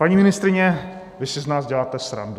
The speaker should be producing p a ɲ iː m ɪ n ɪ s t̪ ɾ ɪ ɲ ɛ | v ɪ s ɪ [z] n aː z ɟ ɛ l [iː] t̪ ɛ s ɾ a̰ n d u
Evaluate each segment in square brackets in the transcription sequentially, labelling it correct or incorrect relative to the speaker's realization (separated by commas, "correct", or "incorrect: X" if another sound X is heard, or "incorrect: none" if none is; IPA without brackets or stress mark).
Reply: correct, incorrect: aː